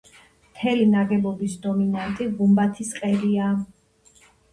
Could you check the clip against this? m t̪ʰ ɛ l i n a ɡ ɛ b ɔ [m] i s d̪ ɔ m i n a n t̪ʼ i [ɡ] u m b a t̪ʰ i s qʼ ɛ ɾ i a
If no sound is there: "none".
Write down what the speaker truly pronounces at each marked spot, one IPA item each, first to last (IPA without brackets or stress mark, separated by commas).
b, ɡ